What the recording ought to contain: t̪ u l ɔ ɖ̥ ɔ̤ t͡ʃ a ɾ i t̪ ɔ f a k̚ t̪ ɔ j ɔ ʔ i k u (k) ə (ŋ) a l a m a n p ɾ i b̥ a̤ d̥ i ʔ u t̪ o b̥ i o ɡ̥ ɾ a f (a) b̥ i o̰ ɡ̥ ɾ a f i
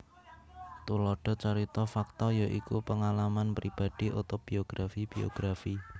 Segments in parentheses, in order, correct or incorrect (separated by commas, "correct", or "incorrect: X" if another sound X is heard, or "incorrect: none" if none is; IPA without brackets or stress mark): incorrect: p, correct, incorrect: i